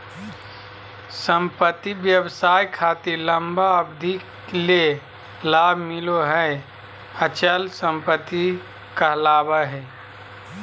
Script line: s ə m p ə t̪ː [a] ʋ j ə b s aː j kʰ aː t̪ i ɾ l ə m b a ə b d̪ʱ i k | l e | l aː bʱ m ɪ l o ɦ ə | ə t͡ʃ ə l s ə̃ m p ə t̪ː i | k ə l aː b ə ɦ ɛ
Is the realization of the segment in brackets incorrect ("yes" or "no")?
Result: yes